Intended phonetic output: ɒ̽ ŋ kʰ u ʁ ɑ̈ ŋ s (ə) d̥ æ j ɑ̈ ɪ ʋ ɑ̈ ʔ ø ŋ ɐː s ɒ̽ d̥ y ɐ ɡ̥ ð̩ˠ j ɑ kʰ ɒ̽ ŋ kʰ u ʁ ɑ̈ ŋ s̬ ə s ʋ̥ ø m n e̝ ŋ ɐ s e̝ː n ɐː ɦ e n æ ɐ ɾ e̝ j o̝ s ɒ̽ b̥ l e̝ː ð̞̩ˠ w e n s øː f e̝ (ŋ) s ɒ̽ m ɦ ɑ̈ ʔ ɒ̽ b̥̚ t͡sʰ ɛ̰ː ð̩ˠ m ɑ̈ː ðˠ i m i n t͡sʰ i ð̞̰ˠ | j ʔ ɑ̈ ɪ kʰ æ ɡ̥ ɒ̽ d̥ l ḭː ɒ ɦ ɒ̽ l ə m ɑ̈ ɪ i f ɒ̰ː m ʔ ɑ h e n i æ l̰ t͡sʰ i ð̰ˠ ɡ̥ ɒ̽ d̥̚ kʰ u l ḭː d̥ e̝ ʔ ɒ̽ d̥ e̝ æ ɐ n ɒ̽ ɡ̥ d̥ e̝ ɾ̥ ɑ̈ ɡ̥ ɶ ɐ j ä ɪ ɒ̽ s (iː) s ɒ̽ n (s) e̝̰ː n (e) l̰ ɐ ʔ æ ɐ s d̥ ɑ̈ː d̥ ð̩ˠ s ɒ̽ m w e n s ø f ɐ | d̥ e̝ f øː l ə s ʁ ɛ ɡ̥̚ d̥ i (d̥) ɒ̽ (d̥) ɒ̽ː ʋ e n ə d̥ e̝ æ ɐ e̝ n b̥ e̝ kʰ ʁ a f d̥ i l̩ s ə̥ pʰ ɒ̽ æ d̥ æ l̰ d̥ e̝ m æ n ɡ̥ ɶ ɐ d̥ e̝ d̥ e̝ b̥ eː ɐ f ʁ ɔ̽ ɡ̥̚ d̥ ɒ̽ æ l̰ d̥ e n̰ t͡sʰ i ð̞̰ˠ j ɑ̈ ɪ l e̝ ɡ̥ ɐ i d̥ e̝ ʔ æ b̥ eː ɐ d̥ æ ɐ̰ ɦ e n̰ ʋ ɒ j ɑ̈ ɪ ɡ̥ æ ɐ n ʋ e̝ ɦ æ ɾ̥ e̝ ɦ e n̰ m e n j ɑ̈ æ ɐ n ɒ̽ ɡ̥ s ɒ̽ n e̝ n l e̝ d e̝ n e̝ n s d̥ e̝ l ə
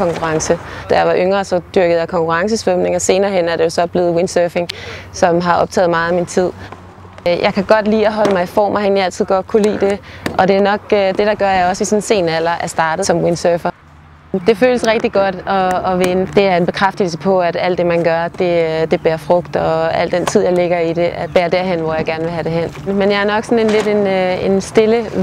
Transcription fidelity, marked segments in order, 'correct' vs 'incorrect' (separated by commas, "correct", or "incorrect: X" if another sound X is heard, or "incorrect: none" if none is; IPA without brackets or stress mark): correct, correct, incorrect: i, correct, incorrect: æ, incorrect: ɡ̥, correct